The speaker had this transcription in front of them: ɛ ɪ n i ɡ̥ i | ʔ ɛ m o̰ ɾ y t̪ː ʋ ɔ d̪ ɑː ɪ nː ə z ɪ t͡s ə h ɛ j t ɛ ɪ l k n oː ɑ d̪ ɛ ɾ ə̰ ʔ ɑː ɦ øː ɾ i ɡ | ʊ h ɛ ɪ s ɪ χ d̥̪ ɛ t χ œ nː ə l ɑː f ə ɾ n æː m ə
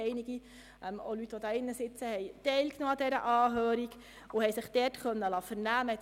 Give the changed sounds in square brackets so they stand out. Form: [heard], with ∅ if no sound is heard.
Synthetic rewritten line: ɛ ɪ n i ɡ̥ i | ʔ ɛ m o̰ [l] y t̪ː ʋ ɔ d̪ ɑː ɪ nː ə [s] ɪ t͡s ə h ɛ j t ɛ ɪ l k n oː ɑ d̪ ɛ ɾ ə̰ ʔ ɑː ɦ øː ɾ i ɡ | ʊ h ɛ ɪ s ɪ χ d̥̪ ɛ t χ œ nː ə l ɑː f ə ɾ n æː m ə